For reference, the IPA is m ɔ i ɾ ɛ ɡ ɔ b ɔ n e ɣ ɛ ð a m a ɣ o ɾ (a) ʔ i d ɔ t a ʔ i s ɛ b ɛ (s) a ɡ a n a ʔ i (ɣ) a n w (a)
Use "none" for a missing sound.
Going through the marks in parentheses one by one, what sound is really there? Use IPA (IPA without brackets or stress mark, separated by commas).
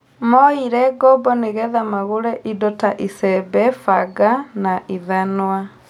ɛ, f, ð, a